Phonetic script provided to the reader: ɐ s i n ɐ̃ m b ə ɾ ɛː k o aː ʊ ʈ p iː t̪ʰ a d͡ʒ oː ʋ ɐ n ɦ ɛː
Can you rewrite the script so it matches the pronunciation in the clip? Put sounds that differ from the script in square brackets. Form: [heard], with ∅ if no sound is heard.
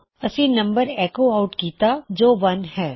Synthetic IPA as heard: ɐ s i n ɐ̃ m b ə ɾ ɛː k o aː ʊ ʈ [k] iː [t̪] a d͡ʒ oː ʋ ɐ n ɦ ɛː